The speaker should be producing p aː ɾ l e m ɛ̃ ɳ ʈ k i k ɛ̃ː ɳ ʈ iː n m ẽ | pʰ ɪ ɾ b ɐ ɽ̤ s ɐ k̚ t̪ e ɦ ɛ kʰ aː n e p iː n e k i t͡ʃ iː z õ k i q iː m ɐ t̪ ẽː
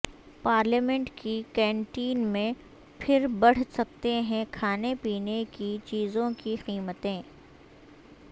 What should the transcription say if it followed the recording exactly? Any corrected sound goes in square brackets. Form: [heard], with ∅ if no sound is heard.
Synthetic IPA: p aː ɾ l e m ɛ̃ ɳ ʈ k i k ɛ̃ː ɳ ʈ iː n m ẽ | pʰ ɪ ɾ b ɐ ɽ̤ s ɐ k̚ t̪ e ɦ [ɛ̃] kʰ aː n e p iː n e k i t͡ʃ iː z õ k i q iː m [ə] t̪ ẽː